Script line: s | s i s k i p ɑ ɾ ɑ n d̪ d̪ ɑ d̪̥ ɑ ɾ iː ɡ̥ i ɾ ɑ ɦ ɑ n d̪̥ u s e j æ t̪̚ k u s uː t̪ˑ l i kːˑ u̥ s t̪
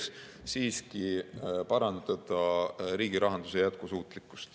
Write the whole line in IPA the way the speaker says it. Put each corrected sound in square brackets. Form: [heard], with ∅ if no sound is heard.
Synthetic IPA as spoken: s | s [iː] s k i p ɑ ɾ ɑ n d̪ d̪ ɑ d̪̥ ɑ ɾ iː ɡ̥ i ɾ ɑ ɦ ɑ n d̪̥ u s e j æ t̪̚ k u s uː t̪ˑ l i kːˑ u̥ s t̪